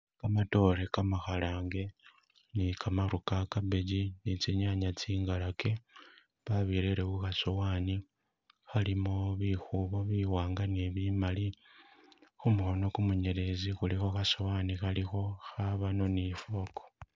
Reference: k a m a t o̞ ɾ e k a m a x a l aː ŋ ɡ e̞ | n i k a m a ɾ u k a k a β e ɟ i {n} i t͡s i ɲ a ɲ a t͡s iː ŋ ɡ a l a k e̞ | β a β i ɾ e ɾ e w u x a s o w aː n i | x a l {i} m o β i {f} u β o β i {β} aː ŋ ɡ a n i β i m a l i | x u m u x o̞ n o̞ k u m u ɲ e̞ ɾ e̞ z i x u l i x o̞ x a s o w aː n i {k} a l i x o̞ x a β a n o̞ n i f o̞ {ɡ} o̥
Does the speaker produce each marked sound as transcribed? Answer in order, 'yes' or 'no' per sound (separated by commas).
yes, yes, no, no, no, no